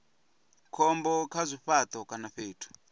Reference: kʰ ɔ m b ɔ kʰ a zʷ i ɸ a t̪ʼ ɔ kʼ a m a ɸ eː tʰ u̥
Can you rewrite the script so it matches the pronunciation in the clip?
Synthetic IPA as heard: kʰ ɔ m b ɔ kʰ a zʷ i ɸ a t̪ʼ ɔ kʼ a n a ɸ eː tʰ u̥

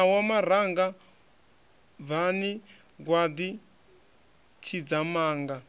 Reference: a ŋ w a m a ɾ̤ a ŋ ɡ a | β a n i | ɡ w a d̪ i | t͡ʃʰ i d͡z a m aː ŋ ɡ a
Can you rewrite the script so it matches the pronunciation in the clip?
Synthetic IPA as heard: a w a m a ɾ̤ a ŋ ɡ a | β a n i | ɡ w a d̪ i | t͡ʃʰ i d͡z a m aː ŋ ɡ a

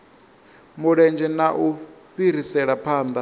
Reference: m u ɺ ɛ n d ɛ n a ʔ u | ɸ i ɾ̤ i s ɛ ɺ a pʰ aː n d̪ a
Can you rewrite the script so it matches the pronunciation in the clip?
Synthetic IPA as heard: m u ɺ ɛ n d͡ʒ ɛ n a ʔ u | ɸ i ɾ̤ i s ɛ ɺ a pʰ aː n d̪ a

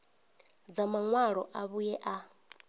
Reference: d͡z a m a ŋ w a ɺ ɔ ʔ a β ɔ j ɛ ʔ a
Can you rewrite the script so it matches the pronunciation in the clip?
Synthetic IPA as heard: d͡z a m a ŋ w a ɺ ɔ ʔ a β u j ɛ ʔ a

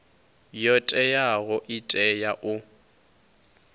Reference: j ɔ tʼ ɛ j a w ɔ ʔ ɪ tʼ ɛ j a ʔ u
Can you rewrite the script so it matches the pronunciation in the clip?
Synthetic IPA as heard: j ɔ tʼ ɛ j a ɣ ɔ ʔ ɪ tʼ ɛ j a ʔ ʊ

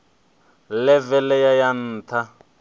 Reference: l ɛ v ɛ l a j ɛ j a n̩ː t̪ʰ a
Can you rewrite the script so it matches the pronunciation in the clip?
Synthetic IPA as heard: l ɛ v ɛ l ɛ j a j a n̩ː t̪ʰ a

